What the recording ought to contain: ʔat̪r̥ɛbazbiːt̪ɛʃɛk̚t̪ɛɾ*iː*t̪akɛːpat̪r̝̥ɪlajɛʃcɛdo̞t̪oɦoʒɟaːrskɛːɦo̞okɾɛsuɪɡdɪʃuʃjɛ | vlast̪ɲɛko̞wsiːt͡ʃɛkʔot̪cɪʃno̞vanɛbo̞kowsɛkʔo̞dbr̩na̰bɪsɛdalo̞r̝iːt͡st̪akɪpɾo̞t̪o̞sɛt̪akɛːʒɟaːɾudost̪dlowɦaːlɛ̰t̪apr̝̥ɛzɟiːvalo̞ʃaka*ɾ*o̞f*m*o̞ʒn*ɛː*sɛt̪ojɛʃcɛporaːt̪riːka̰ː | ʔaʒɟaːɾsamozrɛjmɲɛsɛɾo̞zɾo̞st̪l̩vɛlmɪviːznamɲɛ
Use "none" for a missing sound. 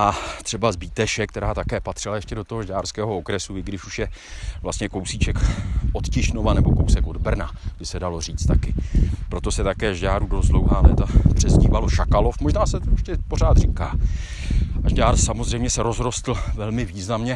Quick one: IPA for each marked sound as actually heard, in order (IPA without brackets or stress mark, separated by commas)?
aː, l, m, aː